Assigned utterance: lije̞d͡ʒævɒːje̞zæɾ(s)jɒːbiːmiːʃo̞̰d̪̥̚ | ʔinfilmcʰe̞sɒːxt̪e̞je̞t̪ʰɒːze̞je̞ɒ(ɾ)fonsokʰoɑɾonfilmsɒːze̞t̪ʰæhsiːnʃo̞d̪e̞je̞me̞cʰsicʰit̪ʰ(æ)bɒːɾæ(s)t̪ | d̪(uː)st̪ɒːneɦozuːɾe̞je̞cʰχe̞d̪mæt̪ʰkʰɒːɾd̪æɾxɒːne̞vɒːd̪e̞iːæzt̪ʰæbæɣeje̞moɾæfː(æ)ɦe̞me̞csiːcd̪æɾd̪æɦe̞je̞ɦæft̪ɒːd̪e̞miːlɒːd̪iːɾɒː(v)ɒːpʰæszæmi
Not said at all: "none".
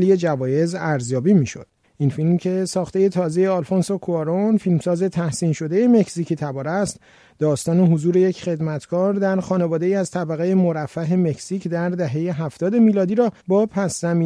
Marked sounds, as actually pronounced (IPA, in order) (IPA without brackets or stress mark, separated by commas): z, l, æ, s, ɒː, æ, b